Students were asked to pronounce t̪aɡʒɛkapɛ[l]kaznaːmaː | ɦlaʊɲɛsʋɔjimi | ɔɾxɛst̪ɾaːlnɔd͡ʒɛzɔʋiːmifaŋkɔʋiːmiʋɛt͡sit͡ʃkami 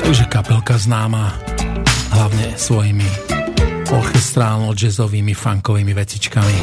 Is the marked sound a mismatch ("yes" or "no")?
no